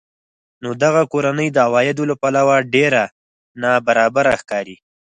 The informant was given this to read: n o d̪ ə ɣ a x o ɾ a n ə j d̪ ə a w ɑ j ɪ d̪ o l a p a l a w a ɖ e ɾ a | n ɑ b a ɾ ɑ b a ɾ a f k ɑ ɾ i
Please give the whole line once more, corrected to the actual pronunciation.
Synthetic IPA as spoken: n o d̪ a ɣ a k o ɾ a n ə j d̪ ə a w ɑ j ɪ d̪ o l a p a l a w a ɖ e ɾ a | n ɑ b a ɾ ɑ b a ɾ a x k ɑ ɾ i